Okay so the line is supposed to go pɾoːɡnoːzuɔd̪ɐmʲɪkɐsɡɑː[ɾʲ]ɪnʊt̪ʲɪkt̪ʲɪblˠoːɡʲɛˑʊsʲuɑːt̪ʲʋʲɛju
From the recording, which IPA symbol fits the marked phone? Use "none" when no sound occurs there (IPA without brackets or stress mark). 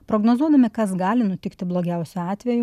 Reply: lʲ